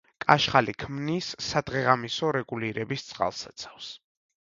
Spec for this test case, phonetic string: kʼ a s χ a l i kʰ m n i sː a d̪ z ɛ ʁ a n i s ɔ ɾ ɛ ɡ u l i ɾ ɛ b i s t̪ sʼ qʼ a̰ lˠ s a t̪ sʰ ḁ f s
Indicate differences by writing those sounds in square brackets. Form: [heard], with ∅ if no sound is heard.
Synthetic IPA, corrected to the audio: kʼ a [ʃ] χ a l i kʰ m n i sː a d̪ [ʁ] ɛ ʁ a [m] i s ɔ ɾ ɛ ɡ u l i ɾ ɛ b i s t̪ sʼ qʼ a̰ lˠ s a t̪ sʰ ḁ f s